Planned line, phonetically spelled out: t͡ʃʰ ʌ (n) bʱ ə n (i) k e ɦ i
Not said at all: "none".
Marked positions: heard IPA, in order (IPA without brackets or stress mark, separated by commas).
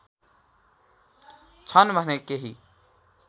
n, e